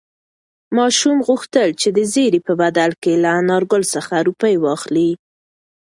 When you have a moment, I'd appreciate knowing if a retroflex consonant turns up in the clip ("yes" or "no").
no